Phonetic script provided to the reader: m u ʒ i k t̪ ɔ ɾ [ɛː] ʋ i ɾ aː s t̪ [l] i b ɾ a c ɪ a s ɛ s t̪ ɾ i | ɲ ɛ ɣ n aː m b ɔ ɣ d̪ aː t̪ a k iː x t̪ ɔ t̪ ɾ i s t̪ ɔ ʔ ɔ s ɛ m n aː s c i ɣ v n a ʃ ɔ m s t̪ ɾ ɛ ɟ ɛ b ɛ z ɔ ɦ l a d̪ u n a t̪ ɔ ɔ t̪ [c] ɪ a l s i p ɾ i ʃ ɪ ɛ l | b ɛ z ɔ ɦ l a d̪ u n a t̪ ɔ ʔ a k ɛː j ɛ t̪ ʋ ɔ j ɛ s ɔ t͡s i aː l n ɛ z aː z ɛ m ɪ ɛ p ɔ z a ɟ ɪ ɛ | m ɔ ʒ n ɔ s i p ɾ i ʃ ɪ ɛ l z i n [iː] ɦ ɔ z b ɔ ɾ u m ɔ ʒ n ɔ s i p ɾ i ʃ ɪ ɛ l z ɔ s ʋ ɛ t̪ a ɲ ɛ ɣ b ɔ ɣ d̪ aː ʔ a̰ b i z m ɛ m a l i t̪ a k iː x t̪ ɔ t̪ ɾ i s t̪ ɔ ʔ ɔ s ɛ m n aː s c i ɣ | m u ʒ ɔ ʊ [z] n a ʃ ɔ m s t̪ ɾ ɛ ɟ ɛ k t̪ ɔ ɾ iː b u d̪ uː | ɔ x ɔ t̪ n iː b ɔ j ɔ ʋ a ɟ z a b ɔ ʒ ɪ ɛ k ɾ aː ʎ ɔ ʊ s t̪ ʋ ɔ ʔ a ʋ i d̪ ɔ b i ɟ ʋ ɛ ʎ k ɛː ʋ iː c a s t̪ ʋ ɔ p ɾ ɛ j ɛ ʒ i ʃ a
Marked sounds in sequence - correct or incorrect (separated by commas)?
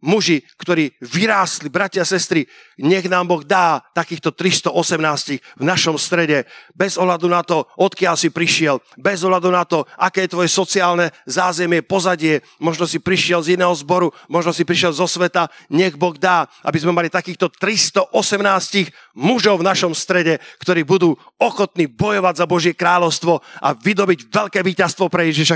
incorrect, correct, incorrect, incorrect, incorrect